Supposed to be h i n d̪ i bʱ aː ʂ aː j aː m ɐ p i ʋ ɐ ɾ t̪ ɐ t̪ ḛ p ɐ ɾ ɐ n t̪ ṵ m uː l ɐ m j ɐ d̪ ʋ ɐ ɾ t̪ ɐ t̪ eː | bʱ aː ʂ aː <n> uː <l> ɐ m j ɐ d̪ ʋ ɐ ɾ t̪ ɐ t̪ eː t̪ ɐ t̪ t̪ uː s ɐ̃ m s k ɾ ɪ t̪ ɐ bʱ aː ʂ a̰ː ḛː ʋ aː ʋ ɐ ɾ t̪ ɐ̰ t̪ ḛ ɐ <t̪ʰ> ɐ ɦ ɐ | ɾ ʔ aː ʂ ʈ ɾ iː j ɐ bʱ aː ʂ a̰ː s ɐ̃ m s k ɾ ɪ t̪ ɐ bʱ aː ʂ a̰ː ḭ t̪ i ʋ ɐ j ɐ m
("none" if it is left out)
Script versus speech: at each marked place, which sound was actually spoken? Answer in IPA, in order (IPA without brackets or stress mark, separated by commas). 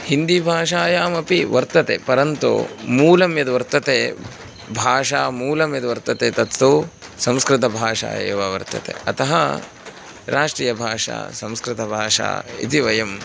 m, l, t̪